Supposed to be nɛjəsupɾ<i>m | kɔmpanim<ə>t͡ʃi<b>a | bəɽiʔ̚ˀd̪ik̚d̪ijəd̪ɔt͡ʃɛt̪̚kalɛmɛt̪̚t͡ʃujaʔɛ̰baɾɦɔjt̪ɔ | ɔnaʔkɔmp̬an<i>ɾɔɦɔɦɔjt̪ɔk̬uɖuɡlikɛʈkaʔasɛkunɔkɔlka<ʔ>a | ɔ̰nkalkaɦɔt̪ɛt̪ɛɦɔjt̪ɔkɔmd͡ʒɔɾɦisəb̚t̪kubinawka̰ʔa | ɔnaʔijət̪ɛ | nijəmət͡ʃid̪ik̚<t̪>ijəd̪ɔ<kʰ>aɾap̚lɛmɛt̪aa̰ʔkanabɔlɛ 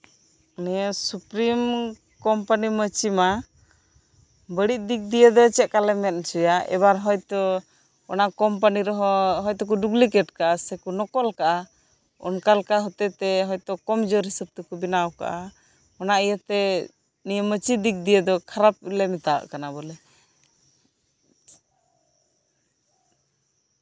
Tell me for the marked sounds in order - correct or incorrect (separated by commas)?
correct, correct, incorrect, correct, correct, incorrect, correct